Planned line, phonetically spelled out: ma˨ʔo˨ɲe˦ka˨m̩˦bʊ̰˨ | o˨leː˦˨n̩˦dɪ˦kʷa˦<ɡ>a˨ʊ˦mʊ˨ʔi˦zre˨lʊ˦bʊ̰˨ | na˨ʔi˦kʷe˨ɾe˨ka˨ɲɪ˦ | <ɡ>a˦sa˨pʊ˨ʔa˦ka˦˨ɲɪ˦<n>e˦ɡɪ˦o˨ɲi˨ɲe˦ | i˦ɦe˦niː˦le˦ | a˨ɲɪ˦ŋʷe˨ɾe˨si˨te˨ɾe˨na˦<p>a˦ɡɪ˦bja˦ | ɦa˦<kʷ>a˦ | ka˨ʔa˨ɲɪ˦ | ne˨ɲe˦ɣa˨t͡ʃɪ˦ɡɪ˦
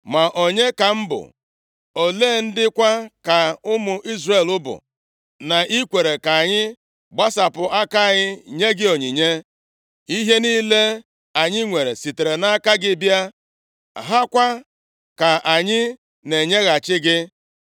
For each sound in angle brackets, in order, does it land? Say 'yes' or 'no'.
no, no, no, no, yes

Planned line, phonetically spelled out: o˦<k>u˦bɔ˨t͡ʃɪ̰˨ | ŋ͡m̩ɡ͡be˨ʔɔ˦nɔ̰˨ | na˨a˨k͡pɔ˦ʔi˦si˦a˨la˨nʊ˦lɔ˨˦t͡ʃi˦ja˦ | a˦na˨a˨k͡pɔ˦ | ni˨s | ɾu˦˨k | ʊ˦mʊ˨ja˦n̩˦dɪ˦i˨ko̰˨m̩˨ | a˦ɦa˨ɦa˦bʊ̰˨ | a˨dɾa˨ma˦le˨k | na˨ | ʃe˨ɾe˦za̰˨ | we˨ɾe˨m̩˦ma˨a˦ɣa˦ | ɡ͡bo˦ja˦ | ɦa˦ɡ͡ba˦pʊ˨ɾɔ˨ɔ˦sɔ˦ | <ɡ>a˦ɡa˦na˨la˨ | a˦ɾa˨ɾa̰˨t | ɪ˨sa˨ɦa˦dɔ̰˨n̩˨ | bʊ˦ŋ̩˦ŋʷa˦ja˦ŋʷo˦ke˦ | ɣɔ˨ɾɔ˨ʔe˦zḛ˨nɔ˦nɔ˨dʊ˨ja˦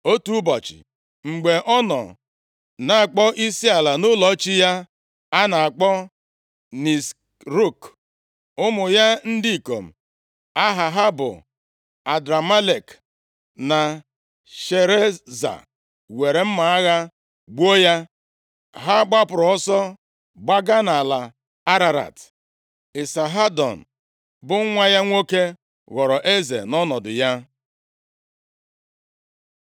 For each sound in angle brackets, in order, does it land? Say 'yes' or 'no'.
no, no

